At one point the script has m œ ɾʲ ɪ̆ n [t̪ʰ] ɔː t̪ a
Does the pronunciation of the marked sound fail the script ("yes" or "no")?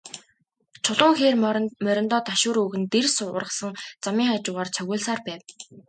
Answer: yes